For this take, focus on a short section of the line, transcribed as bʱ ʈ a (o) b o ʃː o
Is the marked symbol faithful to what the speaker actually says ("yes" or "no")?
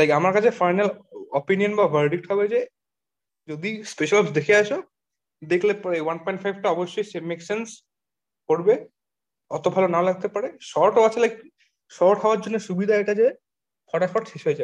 no